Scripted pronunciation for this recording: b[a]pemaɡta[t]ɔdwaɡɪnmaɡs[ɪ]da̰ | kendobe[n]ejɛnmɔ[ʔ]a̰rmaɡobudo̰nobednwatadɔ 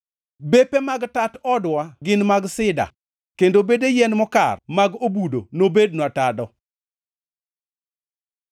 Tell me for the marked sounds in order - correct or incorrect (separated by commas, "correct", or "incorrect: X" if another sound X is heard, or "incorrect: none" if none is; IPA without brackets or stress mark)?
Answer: incorrect: e, correct, correct, incorrect: d, incorrect: k